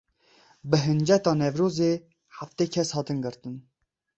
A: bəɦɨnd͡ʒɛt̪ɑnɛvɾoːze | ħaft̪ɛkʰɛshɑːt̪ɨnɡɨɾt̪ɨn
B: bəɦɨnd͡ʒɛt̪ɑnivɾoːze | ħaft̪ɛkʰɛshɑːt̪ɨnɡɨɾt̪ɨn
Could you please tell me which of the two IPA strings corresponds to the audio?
A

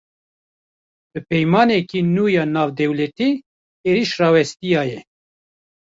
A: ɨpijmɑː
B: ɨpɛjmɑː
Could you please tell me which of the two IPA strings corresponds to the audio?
B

